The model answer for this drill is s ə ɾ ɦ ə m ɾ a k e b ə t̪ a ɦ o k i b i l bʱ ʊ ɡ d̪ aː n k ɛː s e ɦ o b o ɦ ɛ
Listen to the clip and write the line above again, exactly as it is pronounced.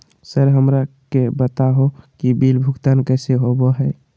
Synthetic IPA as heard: s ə ɾ ɦ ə m ɾ a k e b ə t̪ a ɦ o k i b i l bʱ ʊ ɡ t̪ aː n k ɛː s e ɦ o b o ɦ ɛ

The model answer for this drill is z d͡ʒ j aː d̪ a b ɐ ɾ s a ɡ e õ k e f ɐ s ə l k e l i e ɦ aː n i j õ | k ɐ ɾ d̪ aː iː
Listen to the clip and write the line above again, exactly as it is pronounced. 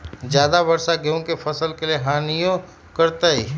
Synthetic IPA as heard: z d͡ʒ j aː d̪ a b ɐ ɾ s a ɡ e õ k e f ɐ s ə l k e l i e ɦ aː n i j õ | k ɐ ɾ t̪ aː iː

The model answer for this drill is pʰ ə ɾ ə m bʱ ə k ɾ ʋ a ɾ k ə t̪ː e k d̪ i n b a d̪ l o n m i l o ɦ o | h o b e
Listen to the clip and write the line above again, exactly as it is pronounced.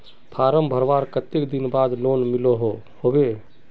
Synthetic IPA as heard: pʰ a ɾ ə m bʱ ə ɾ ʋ a ɾ k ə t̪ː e k d̪ i n b a d̪ l o n m i l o ɦ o | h o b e

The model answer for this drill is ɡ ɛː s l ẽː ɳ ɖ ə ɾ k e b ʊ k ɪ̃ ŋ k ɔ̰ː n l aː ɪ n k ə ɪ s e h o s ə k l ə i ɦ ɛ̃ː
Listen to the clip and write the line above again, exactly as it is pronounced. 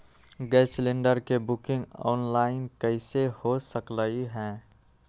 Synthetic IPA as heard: ɡ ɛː s l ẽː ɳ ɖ ə ɾ k e b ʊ k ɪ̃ ŋ ɡ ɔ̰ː n l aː ɪ n k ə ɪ s e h o s ə k l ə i ɦ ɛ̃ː

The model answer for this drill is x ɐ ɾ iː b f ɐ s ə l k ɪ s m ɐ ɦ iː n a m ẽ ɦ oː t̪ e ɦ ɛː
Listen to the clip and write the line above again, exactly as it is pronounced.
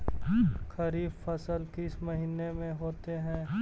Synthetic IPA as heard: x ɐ ɾ iː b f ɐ s ə l k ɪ s m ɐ ɦ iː n e m ẽ ɦ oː t̪ e ɦ ɛ̃ː

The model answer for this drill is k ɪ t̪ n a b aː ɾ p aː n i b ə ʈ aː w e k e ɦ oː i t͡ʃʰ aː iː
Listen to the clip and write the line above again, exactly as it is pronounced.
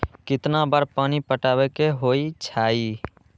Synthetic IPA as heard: k ɪ t̪ n a b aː ɾ p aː n i p ə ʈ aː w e k e ɦ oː i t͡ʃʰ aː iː

